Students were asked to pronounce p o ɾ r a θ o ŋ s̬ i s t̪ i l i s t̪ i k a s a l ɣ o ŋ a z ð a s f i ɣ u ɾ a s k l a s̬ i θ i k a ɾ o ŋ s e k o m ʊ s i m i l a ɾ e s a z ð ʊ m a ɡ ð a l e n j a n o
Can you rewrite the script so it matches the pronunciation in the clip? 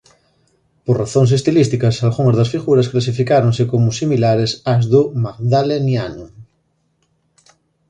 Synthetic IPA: p o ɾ r a θ o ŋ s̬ e s t̪ i l i s t̪ i k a s a l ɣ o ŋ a z ð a s f i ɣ u ɾ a s k l a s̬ i f i k a ɾ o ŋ s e k o m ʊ s i m i l a ɾ e s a z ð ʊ m a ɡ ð a l e n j a n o

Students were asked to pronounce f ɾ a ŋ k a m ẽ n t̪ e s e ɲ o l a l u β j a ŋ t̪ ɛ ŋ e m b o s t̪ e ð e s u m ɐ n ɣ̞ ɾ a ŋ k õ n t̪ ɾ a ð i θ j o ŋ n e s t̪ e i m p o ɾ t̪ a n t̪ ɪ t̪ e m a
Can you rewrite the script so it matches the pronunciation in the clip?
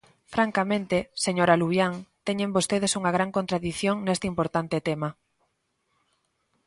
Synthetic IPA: f ɾ a ŋ k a m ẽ n t̪ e s e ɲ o ɾ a l u β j a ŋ t̪ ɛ ɲ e m b o s t̪ e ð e s u ŋ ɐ ɣ̞ ɾ a ŋ k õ n t̪ ɾ a ð i θ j o ŋ n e s t̪ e i m p o ɾ t̪ a n t̪ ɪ t̪ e m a

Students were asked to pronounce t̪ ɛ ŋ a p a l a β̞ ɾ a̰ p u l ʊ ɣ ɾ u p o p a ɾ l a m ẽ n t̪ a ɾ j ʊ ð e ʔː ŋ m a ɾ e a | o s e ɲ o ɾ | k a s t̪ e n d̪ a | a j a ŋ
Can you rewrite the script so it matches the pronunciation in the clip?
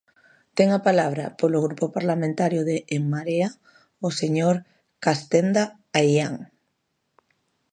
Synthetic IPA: t̪ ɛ ŋ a p a l a β̞ ɾ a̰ p o l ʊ ɣ ɾ u p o p a ɾ l a m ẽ n t̪ a ɾ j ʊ ð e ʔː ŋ m a ɾ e a | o s e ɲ o ɾ | k a s t̪ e n d̪ a | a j a ŋ

